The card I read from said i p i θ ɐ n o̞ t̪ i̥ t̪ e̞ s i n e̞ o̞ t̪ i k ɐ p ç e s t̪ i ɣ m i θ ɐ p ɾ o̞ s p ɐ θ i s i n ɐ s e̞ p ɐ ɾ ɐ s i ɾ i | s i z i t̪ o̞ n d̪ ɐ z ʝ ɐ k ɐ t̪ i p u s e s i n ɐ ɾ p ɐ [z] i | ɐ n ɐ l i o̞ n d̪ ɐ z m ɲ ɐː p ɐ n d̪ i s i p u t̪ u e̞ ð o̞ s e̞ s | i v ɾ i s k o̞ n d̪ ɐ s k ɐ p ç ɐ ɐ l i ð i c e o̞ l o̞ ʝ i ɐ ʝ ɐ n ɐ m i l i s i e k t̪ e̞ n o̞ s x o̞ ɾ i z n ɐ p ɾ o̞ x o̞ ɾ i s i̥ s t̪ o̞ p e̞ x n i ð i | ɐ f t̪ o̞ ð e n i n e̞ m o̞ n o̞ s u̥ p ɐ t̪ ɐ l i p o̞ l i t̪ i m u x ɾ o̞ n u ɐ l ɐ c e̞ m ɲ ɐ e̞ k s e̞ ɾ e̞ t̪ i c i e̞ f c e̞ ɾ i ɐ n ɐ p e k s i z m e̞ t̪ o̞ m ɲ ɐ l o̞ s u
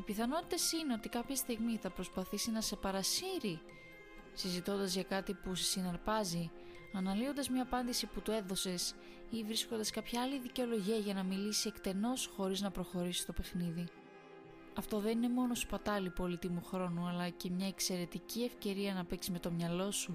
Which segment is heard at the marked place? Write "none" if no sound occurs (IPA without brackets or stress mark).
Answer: z